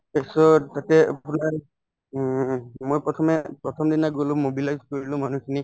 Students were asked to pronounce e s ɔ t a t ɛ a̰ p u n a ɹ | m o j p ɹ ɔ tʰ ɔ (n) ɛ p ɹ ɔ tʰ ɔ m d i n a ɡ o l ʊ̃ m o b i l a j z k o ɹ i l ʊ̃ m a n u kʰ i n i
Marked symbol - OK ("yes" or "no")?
no